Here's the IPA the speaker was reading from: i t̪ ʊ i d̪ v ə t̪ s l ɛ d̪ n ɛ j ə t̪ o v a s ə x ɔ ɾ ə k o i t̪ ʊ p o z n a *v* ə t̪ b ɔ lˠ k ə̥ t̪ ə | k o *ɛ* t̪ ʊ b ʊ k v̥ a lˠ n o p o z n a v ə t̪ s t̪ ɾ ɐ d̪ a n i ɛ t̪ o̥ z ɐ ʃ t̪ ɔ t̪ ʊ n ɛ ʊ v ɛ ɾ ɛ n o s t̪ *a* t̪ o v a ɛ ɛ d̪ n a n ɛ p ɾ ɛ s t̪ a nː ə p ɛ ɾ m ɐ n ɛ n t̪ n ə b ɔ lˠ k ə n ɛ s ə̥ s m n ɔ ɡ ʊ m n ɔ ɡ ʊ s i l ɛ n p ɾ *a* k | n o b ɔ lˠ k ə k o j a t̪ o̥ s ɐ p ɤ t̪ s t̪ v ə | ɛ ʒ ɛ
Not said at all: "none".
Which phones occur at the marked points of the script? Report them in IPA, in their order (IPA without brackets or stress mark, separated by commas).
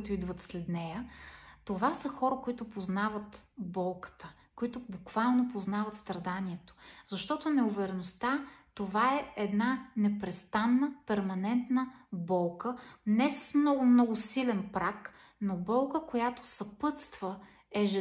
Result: v, i, a, a